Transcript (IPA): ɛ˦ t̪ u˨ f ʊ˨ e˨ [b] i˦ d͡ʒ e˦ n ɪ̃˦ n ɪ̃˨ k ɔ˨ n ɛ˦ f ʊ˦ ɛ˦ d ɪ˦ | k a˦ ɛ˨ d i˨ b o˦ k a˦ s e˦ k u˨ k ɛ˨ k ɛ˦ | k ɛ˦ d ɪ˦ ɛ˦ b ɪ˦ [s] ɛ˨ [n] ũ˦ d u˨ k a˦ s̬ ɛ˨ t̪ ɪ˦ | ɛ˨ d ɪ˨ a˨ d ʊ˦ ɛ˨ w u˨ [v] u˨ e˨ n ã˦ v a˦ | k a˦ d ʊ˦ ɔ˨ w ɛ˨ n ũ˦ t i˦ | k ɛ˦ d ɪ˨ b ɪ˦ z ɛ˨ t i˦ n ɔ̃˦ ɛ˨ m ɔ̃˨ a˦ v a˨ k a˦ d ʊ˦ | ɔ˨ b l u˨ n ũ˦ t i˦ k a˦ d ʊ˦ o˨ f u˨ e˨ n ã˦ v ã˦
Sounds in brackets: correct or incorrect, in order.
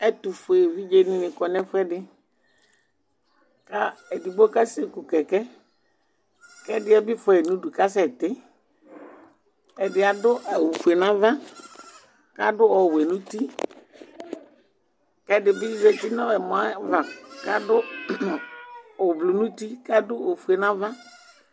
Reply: incorrect, incorrect, correct, incorrect

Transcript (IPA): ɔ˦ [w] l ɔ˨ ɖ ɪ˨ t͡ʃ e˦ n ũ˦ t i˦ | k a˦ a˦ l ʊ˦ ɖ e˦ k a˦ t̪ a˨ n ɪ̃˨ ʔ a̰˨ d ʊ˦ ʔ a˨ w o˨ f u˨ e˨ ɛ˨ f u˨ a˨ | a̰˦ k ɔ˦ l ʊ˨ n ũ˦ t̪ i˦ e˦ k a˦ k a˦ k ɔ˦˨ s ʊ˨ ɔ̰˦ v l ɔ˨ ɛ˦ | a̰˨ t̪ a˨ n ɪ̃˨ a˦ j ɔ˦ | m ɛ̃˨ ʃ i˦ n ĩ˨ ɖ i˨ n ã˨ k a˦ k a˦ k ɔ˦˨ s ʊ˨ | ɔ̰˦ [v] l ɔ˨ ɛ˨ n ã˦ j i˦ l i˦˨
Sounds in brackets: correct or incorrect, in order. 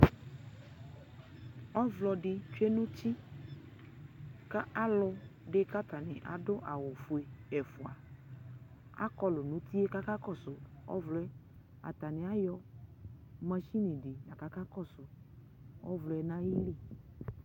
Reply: incorrect, correct

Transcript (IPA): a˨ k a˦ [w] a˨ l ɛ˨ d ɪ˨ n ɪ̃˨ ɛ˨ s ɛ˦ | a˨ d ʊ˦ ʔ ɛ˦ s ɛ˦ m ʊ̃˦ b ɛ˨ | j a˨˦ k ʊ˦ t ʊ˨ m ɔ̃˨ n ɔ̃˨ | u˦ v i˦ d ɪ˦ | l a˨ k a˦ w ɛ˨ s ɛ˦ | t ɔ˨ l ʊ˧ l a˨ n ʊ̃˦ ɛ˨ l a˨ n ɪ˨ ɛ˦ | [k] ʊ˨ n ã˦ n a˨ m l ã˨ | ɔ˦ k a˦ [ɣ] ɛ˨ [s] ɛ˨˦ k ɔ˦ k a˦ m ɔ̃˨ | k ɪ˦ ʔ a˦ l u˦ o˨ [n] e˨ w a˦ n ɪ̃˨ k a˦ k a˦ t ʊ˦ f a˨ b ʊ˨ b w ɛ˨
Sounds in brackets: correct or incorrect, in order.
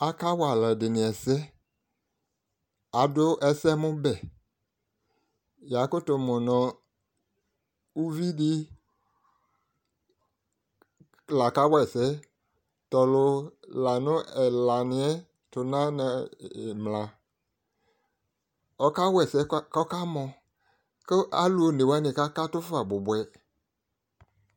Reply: correct, incorrect, incorrect, correct, correct

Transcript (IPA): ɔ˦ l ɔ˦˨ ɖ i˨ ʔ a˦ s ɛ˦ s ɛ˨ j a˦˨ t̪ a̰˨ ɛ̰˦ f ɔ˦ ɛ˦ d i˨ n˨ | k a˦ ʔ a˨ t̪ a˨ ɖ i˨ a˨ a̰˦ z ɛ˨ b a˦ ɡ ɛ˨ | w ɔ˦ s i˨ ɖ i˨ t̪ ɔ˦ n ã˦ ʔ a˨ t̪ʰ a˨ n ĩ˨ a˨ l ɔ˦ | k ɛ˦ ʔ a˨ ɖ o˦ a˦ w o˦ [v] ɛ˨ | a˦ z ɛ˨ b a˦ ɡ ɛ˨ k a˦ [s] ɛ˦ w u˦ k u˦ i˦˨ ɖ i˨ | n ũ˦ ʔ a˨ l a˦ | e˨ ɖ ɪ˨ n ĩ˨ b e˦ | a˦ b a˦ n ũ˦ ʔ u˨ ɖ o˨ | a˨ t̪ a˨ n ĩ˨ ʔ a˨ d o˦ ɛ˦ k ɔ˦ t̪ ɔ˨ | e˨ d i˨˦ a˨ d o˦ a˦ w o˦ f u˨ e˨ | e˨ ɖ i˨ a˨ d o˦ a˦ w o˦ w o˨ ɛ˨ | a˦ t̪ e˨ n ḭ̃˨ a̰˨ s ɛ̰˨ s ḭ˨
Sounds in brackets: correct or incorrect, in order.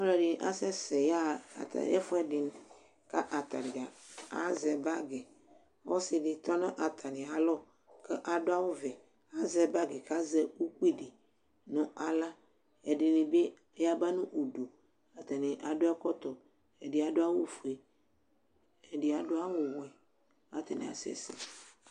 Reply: correct, incorrect

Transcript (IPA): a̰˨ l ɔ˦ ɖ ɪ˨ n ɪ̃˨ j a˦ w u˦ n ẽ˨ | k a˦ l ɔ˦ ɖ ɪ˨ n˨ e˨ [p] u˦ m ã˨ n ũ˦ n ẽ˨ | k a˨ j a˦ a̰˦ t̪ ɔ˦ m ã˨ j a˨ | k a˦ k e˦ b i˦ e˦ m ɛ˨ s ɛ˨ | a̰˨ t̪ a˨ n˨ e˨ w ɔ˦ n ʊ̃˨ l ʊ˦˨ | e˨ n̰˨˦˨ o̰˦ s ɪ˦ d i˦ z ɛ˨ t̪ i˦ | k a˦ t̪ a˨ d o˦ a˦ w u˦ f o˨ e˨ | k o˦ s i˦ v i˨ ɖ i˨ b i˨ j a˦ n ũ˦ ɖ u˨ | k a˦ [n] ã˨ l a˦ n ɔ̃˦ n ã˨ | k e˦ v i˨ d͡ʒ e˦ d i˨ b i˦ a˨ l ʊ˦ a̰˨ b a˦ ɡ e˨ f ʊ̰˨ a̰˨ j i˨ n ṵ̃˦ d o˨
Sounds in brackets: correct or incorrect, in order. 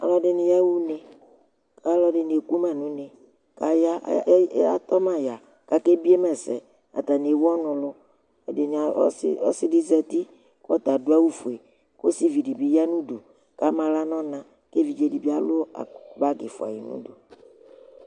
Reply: incorrect, incorrect

